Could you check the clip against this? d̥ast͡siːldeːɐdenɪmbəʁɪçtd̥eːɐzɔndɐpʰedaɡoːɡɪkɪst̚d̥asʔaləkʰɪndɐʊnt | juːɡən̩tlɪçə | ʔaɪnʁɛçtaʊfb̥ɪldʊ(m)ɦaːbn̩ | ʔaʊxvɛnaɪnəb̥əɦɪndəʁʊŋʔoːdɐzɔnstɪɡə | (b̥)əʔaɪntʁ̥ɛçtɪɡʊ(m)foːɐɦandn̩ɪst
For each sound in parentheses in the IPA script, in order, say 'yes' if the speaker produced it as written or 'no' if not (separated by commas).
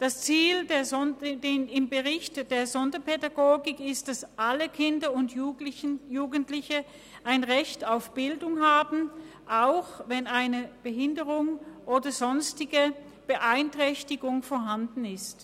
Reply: no, yes, no